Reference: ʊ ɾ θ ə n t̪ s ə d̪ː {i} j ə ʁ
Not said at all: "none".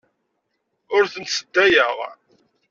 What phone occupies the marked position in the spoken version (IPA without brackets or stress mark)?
æ